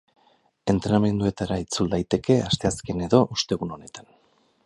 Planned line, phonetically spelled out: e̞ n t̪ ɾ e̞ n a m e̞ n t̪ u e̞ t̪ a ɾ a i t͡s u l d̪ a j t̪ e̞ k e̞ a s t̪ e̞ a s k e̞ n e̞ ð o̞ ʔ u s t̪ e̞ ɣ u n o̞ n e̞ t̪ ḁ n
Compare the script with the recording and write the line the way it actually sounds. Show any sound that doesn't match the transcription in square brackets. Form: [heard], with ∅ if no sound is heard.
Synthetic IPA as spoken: e̞ n t̪ ɾ e̞ n a m e̞ n [d̪] u e̞ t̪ a ɾ a i t͡s u l d̪ a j t̪ e̞ k e̞ a s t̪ e̞ a s k e̞ n e̞ ð o̞ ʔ u s t̪ e̞ ɣ u n o̞ n e̞ t̪ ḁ n